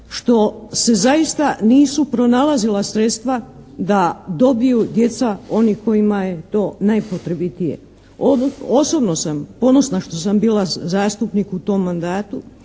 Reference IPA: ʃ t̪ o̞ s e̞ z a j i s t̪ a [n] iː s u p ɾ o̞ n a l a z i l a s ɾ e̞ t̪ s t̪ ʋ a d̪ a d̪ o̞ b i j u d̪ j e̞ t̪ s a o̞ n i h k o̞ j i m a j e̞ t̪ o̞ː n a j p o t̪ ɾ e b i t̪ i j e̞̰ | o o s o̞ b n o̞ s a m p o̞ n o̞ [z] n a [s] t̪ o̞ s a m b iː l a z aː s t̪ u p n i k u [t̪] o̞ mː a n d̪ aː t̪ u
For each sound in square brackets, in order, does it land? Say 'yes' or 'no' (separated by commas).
yes, no, no, yes